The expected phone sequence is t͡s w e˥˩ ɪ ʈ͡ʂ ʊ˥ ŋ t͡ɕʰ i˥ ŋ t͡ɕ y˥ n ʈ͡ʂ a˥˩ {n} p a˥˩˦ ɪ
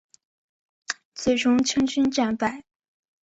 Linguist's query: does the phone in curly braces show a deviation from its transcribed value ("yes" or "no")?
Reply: no